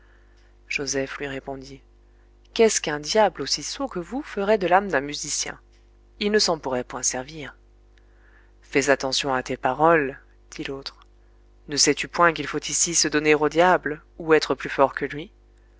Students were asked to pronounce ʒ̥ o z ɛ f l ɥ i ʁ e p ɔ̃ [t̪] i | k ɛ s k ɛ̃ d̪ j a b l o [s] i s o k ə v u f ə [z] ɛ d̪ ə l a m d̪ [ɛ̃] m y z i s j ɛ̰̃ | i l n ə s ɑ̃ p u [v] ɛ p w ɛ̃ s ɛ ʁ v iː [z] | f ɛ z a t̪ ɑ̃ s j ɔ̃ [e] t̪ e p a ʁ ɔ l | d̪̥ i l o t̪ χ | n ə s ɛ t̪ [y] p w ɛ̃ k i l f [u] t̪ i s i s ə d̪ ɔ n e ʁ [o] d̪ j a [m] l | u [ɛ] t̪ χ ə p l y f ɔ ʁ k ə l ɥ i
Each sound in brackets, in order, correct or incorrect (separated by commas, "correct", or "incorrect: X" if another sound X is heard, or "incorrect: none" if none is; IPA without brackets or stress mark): incorrect: d̪, correct, incorrect: ʁ, correct, incorrect: ʁ, incorrect: ʁ, incorrect: a, correct, incorrect: o, correct, incorrect: b, correct